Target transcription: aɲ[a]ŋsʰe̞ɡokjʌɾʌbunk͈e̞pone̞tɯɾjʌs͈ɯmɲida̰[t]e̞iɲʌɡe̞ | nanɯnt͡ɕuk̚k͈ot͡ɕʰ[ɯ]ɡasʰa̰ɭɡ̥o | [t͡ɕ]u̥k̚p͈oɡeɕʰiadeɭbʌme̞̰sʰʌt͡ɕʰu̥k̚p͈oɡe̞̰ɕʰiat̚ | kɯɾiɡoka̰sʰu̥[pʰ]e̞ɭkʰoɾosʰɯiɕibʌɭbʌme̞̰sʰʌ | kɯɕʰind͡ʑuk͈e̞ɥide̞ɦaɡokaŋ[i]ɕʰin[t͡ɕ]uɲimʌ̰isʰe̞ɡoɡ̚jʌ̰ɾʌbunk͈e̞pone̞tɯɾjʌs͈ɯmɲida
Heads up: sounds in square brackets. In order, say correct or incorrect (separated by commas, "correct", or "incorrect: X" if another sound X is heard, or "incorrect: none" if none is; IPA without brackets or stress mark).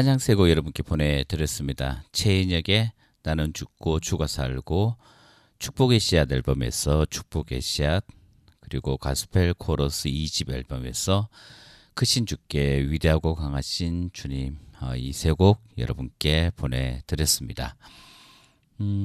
correct, incorrect: t͡ɕʰ, incorrect: u, incorrect: t͡ɕʰ, correct, incorrect: a, correct